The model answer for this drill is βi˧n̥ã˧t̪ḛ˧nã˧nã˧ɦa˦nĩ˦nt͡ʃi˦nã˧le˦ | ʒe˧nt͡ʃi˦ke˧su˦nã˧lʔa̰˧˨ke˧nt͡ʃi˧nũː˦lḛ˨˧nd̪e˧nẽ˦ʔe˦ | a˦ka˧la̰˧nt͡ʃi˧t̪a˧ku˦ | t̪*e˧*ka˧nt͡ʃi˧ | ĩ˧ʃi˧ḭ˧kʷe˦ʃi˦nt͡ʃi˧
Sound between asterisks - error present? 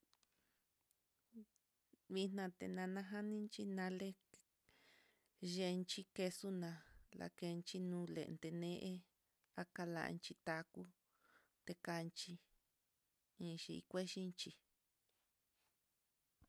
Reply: no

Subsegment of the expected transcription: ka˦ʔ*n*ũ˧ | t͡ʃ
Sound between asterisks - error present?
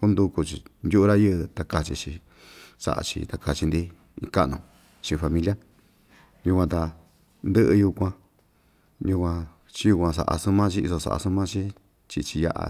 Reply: no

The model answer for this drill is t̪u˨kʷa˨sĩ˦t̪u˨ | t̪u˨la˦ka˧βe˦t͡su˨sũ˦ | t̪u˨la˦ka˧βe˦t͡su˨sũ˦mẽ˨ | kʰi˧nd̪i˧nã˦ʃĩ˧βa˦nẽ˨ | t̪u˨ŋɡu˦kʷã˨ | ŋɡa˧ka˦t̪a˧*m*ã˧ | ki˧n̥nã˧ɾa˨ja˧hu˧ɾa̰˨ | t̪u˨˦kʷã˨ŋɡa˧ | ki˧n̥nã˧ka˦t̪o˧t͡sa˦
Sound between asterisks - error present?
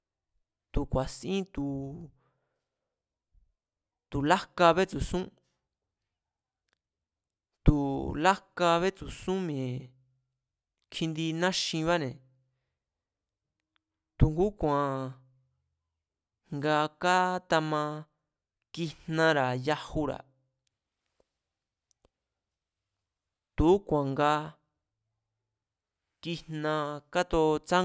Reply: no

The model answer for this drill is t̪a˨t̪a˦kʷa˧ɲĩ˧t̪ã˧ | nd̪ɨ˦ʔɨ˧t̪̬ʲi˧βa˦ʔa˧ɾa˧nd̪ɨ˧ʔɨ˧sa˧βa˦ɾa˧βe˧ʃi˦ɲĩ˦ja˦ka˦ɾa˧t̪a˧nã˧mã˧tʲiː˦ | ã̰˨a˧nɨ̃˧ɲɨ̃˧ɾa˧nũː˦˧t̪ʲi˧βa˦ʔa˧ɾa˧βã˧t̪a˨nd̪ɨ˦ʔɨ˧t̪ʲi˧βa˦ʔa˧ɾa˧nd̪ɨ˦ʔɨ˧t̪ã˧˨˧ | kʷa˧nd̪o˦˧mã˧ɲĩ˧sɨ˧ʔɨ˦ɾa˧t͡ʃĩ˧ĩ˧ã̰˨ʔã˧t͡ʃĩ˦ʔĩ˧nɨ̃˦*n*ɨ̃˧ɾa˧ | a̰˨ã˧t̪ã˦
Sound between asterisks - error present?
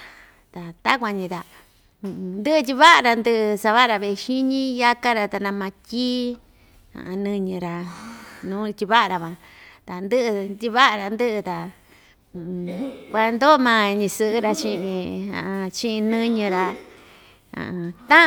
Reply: yes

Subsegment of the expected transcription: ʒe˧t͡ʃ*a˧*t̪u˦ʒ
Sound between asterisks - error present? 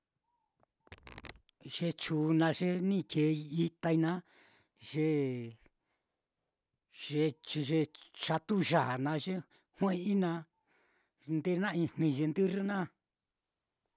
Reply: no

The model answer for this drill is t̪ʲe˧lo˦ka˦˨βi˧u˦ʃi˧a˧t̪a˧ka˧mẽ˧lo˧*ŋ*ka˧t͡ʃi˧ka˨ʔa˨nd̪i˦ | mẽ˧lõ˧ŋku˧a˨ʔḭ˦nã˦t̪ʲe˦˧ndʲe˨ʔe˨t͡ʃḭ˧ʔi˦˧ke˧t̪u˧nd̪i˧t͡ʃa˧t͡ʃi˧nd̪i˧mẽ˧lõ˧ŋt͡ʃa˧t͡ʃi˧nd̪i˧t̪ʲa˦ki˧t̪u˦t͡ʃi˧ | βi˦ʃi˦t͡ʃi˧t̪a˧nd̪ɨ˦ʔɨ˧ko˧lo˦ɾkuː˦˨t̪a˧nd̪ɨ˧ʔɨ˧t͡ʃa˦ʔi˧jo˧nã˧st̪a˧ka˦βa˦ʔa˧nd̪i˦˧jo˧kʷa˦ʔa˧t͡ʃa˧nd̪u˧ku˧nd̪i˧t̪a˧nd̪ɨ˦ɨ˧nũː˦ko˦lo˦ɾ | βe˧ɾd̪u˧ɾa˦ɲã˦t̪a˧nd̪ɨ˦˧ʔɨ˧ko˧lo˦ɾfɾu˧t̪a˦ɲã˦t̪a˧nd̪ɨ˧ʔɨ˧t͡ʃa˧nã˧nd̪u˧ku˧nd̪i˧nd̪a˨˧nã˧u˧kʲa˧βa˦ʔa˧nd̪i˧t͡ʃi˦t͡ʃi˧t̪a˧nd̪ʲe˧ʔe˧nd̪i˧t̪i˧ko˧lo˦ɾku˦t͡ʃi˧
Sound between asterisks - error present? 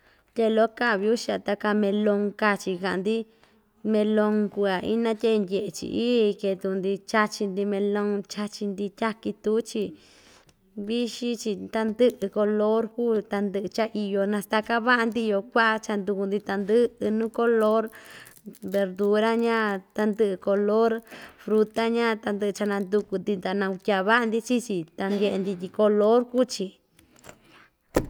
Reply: no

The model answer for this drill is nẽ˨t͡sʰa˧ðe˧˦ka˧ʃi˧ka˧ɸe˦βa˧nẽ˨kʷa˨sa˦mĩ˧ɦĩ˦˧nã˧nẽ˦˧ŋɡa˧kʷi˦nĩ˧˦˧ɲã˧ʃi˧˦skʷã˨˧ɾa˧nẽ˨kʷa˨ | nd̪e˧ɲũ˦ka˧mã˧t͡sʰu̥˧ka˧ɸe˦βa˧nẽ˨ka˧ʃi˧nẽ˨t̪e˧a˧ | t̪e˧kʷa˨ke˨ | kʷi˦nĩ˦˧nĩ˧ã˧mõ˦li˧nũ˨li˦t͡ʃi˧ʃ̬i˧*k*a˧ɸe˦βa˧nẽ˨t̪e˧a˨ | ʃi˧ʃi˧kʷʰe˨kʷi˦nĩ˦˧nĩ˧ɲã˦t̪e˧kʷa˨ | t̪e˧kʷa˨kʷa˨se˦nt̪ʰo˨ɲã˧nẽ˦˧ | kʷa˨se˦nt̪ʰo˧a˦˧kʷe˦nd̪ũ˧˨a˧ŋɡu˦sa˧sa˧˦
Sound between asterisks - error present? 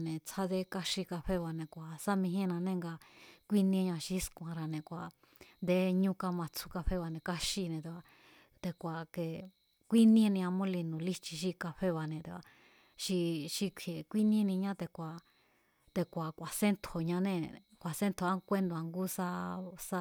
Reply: no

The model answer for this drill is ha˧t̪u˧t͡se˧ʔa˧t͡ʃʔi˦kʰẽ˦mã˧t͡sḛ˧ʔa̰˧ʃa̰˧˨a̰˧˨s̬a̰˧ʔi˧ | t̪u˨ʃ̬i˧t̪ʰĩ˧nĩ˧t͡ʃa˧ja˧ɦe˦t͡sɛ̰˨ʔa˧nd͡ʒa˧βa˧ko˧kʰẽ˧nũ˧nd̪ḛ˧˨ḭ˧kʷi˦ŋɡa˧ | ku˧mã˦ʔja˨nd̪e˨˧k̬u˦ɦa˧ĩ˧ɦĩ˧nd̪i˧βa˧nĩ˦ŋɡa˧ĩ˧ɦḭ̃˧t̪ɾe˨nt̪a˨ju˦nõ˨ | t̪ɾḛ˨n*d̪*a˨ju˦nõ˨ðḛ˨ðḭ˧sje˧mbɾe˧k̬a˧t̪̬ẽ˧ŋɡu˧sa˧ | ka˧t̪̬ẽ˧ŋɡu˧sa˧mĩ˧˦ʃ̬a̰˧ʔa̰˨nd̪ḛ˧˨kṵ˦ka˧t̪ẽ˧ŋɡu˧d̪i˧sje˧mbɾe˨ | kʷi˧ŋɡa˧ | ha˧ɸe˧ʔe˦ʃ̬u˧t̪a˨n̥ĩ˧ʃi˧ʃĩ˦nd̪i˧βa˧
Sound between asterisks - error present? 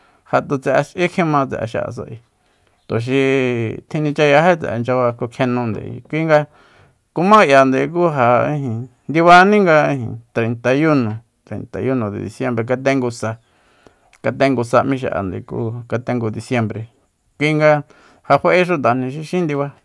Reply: yes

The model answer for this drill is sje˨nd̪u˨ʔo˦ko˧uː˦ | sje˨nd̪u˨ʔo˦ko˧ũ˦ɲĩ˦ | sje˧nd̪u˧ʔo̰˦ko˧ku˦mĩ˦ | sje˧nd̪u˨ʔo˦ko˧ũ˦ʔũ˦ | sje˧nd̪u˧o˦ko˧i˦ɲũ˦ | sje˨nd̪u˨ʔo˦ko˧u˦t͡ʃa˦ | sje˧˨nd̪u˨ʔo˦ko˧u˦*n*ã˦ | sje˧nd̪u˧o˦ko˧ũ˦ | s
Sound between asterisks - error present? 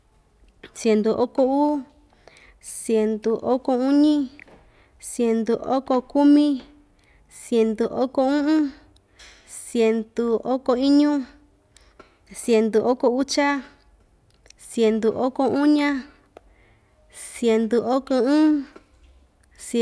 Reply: yes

